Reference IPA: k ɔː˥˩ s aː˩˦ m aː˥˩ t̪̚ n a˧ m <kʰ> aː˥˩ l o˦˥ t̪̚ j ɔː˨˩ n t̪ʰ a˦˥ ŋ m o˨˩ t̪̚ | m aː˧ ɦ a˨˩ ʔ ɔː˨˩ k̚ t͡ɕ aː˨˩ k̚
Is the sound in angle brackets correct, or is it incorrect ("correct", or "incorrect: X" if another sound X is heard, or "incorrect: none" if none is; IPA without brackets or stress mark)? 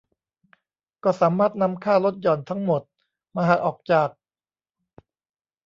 correct